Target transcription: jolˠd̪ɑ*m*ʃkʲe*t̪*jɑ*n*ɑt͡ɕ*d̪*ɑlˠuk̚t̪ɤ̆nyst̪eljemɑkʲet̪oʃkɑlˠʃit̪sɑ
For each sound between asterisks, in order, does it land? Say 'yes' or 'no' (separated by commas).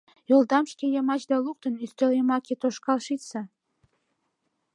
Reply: yes, no, no, yes